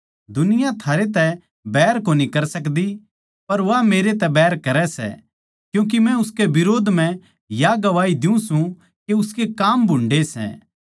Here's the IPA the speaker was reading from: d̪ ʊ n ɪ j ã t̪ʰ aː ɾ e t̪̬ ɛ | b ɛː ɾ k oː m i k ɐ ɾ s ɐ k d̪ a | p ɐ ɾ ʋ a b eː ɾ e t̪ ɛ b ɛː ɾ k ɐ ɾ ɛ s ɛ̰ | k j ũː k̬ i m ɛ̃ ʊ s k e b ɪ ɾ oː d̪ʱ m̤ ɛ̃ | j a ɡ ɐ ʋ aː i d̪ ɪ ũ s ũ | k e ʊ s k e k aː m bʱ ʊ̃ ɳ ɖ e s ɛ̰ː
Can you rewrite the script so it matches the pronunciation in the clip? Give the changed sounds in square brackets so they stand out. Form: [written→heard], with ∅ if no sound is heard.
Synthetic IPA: d̪ ʊ n ɪ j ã t̪ʰ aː ɾ e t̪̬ ɛ | b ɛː ɾ k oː [m→n] i k ɐ ɾ s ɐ k d̪ [a→i] | p ɐ ɾ ʋ a [b→m] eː ɾ e t̪ ɛ b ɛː ɾ k ɐ ɾ ɛ s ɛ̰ | k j ũː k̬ i m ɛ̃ ʊ s k e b ɪ ɾ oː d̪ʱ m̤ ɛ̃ | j a ɡ ɐ ʋ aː i d̪ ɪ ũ s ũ | k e ʊ s k e k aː m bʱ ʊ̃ ɳ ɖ e s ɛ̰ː